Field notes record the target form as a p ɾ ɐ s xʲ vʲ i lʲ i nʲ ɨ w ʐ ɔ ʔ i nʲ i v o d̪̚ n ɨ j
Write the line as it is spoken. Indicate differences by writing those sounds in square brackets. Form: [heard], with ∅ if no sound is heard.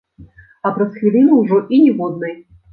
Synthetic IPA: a p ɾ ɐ s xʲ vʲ i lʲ i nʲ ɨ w ʐ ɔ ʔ i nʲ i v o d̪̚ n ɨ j